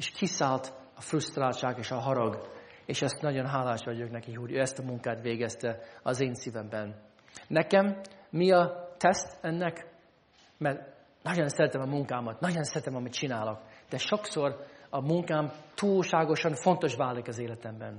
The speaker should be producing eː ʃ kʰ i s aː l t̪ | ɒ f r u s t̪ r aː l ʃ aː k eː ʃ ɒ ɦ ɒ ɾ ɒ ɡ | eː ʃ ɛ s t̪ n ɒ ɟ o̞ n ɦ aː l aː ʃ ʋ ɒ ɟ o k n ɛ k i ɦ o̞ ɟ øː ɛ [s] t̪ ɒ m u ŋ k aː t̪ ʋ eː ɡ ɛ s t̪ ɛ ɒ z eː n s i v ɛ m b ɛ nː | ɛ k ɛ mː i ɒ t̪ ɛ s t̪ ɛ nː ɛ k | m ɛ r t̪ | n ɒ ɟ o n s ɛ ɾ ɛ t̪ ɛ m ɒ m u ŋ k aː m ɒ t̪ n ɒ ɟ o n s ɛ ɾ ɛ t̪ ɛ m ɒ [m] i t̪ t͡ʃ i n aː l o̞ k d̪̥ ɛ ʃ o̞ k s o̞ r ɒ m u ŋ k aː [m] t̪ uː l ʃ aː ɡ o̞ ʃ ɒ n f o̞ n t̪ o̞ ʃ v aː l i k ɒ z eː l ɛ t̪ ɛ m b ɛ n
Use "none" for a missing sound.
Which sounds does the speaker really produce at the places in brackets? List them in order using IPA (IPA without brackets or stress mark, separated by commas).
s, m, m